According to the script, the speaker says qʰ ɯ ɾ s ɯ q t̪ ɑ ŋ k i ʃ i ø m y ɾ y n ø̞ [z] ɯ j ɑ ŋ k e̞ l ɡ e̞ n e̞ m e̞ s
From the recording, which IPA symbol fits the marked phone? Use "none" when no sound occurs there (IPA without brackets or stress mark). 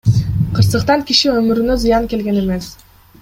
z